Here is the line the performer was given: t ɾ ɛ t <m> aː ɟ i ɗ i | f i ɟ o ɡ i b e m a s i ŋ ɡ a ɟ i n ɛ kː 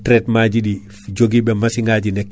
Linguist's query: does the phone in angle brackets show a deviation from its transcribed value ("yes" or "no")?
no